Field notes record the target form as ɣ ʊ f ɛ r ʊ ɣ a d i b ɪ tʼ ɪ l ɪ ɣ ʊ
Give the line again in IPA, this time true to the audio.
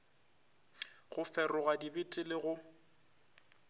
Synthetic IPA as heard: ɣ ʊ f ɛ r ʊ ɣ a d i b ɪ tʼ ɪ l ɪ ɣ ʊ